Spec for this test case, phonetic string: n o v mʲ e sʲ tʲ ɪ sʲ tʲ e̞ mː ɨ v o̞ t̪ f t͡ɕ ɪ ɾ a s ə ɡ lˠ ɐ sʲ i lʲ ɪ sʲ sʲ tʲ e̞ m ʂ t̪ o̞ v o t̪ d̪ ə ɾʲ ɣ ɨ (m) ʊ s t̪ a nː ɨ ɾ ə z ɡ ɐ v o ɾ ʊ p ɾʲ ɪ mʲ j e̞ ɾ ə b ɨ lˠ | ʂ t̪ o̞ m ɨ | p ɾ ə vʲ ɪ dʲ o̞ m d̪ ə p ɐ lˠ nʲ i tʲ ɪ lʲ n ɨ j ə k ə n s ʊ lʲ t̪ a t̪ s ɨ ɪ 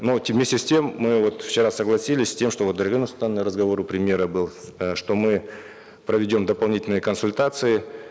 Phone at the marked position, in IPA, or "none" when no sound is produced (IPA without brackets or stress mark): n